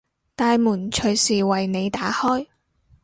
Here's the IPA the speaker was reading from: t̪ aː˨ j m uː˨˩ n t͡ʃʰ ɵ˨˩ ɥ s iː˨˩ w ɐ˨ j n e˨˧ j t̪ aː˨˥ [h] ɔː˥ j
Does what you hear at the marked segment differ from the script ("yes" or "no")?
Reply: no